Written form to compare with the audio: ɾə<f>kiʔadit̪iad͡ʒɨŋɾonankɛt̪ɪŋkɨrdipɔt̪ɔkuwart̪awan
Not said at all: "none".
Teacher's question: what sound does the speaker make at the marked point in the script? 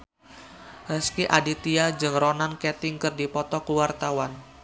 s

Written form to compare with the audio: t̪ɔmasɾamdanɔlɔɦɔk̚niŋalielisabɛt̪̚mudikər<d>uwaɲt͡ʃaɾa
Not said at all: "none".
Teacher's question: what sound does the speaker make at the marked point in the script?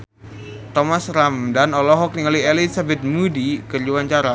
d͡ʒ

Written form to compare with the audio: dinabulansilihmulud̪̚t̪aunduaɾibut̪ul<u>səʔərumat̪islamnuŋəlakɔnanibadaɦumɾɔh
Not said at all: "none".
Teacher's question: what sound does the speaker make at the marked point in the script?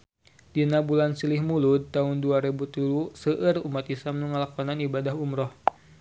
u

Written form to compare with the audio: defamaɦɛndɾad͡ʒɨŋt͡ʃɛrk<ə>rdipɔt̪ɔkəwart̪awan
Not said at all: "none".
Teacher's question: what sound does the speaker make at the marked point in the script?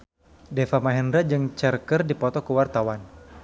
ə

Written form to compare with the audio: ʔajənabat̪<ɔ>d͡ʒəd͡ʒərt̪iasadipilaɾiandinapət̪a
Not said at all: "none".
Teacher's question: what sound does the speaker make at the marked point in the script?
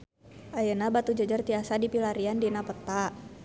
u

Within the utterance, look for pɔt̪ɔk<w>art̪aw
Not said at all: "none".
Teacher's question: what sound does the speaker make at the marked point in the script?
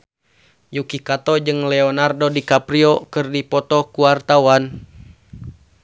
u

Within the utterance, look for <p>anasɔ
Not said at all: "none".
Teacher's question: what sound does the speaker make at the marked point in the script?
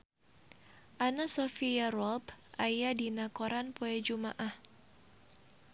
ʔ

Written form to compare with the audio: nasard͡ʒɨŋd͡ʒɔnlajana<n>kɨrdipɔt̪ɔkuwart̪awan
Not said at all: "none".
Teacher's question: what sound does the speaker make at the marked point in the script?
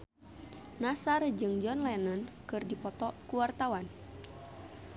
n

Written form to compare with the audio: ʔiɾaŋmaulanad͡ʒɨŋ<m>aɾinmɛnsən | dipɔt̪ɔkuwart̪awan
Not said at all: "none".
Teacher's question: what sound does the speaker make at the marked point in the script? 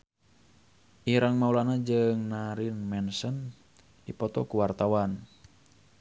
n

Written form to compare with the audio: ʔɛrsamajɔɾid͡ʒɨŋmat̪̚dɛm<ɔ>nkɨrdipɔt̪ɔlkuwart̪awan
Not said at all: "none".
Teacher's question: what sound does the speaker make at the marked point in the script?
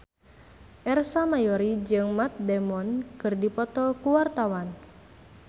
ɔ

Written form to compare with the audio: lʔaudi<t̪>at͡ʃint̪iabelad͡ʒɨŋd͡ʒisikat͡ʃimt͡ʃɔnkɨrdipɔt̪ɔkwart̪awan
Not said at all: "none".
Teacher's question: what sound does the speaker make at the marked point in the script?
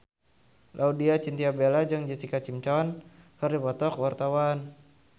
none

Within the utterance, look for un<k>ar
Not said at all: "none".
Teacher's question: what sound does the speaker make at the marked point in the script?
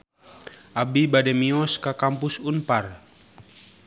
p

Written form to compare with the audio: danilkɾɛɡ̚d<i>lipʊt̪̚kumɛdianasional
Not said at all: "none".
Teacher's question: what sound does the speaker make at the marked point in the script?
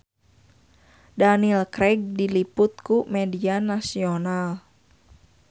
i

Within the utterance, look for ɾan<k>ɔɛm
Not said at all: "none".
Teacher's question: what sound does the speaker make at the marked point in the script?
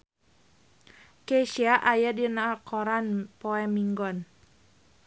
p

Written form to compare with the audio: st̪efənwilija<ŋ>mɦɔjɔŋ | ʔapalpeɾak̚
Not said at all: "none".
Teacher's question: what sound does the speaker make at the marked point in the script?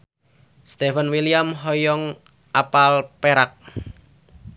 none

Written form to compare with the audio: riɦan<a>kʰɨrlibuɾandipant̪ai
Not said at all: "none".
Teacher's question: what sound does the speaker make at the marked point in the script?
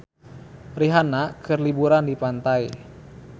a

